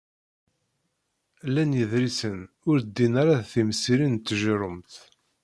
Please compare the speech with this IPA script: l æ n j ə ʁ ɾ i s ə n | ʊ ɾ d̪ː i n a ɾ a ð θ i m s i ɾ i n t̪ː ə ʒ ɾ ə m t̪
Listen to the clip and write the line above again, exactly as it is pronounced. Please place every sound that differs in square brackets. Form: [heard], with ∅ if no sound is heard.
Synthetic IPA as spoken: l æ n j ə [ð] ɾ i s ə n | ʊ ɾ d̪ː i n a ɾ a ð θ i m s i ɾ i n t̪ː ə ʒ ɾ ə m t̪